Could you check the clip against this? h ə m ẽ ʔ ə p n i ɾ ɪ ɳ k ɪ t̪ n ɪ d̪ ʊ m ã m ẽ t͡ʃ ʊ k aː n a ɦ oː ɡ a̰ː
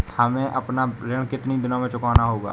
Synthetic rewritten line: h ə m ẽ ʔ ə p n a ɾ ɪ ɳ k ɪ t̪ n i d̪ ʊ n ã m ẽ t͡ʃ ʊ k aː n a ɦ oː ɡ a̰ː